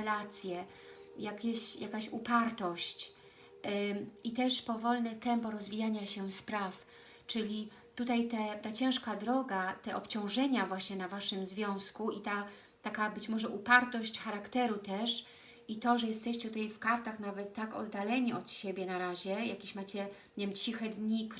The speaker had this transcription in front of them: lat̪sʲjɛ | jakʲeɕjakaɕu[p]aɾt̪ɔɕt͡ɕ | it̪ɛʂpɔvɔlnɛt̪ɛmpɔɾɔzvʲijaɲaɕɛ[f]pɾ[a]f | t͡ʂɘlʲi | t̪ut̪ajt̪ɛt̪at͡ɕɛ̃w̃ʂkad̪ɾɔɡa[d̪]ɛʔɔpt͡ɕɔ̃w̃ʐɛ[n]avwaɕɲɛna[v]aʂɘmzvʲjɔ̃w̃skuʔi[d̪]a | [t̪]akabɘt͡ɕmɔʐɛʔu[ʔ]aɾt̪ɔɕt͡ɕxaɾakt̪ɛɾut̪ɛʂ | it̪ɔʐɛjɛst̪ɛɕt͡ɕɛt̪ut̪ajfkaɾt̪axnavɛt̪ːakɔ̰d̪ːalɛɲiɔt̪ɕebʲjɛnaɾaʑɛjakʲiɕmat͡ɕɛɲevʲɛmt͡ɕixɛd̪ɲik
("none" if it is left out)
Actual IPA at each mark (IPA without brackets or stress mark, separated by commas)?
p, s, a, t̪, ɲ, v, t̪, t̪, p